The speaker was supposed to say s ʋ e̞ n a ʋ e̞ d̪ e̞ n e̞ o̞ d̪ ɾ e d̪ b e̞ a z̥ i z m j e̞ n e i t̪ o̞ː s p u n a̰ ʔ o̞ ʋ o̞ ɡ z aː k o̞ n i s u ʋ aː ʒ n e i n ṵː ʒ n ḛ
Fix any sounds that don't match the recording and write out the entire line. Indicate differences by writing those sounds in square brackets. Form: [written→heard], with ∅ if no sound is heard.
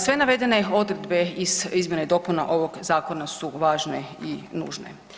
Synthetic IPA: s ʋ e̞ n a ʋ e̞ d̪ e̞ n e̞ o̞ d̪ ɾ e d̪ b e̞ [a→i] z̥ i z m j e̞ n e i [t̪→d̪] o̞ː [s→∅] p u n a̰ ʔ o̞ ʋ o̞ ɡ z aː k o̞ n [i→a] s u ʋ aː ʒ n e i n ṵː ʒ n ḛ